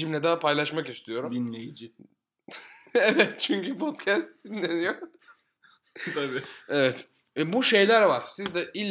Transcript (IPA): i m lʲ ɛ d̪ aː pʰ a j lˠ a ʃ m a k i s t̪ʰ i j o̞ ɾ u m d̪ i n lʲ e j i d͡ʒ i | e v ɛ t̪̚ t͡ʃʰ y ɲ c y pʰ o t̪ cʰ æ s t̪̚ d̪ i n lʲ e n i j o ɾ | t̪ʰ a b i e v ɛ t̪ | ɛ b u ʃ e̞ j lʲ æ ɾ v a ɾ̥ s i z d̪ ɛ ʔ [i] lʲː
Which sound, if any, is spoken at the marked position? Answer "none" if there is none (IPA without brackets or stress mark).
i